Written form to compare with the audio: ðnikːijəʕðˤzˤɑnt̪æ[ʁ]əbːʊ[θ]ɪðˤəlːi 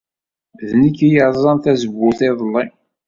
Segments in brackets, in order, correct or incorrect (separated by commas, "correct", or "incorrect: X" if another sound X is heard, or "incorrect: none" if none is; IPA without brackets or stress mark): incorrect: z, correct